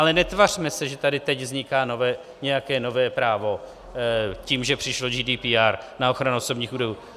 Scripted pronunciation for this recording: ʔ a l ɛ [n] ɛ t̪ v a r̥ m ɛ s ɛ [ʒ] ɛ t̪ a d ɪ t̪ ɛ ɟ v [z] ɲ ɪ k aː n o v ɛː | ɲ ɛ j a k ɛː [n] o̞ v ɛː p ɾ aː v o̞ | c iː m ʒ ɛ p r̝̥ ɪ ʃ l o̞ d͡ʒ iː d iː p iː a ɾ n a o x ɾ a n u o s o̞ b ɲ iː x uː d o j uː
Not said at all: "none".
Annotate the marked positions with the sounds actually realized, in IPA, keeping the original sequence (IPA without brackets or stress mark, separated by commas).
n, ʒ, z, n